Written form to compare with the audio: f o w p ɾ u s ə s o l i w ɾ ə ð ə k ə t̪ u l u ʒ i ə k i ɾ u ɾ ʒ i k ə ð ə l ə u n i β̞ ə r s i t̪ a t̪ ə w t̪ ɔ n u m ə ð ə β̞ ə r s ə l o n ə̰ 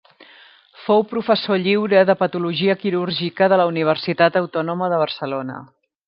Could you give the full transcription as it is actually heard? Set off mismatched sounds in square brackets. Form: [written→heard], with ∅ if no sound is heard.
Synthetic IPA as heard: f o w p ɾ u [s→f] ə s o [l→ʎ] i w ɾ ə ð ə [k→p] ə t̪ u l u ʒ i ə k i ɾ u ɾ ʒ i k ə ð ə l ə u n i β̞ ə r s i t̪ a t̪ ə w t̪ ɔ n u m ə ð ə β̞ ə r s ə l o n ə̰